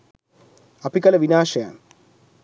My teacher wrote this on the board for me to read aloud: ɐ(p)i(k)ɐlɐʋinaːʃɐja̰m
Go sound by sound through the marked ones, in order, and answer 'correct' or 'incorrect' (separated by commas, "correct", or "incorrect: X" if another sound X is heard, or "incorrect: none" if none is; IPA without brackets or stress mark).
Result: correct, correct